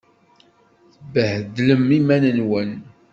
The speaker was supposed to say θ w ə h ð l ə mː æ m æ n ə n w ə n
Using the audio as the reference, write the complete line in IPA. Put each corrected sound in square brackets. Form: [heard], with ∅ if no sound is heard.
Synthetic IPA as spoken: θ [b] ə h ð l ə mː [i] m æ n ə n w ə n